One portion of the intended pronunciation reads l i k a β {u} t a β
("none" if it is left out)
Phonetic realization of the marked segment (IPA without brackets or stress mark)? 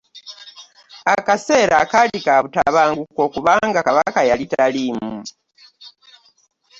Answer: u